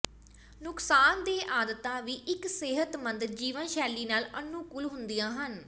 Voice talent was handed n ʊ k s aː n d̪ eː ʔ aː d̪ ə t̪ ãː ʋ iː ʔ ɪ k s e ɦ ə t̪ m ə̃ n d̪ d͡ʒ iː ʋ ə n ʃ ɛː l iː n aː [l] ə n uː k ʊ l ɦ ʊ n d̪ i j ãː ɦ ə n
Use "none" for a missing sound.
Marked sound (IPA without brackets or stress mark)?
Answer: l